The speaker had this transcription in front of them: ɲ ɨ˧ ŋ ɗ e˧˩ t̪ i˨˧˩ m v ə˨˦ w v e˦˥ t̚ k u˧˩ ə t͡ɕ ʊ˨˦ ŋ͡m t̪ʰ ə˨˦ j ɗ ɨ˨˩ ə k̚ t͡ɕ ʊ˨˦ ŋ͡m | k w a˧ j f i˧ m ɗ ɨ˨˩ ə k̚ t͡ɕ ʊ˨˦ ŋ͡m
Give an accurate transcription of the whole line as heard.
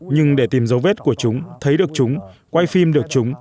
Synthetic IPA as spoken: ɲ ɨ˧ ŋ ɗ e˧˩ t̪ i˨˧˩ m z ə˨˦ w v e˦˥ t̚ k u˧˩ ə t͡ɕ ʊ˨˦ ŋ͡m t̪ʰ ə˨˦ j ɗ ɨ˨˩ ə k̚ t͡ɕ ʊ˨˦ ŋ͡m | k w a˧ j f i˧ m ɗ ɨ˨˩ ə k̚ t͡ɕ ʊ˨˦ ŋ͡m